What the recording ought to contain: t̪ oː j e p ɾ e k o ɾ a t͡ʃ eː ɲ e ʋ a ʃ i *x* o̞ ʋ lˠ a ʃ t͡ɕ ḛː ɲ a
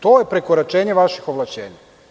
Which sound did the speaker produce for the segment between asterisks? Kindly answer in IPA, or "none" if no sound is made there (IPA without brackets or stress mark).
x